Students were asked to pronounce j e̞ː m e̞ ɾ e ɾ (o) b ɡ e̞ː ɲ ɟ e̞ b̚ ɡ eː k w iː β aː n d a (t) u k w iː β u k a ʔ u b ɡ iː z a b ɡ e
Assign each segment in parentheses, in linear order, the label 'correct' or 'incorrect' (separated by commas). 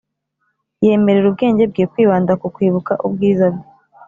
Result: incorrect, incorrect